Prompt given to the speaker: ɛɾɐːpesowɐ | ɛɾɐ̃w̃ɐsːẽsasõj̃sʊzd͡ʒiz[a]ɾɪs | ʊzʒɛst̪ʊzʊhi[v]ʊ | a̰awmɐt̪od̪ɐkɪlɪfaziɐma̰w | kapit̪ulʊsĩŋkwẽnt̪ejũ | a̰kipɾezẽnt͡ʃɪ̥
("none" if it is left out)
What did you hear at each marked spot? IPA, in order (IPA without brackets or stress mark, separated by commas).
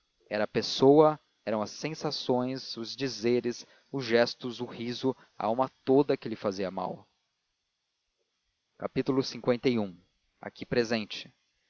e, z